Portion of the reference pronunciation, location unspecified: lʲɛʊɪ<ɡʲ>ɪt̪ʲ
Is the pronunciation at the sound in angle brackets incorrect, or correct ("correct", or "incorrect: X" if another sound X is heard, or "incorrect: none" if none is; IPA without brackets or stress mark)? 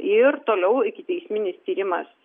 incorrect: kʲ